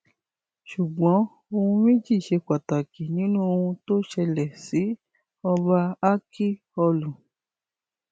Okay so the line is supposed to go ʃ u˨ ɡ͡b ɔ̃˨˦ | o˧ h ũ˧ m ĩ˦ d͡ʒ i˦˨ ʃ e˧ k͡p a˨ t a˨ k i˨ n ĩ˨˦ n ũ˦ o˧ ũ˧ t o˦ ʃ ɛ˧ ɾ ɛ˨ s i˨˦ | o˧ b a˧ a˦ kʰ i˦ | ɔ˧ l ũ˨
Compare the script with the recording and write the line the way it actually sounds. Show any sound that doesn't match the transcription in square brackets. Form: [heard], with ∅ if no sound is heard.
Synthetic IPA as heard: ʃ u˨ ɡ͡b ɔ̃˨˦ | o˧ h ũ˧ m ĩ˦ d͡ʒ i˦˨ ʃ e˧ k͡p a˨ t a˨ k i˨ n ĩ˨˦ n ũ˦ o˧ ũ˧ t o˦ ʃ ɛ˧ [l] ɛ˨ s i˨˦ | [ɔ˧] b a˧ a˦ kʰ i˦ | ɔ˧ l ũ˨